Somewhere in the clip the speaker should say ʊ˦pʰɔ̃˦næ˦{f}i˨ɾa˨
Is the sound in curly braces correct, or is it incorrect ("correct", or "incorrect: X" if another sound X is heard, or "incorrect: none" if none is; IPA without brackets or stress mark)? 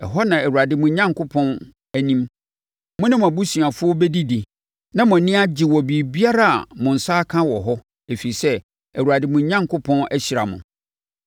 incorrect: ɕ